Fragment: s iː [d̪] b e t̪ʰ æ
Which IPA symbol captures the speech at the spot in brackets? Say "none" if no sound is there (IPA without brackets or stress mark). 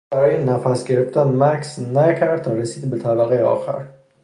d̪